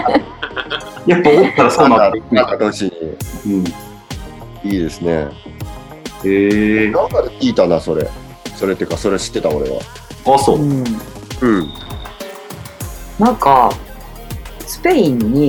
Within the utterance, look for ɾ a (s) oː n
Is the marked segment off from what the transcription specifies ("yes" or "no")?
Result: no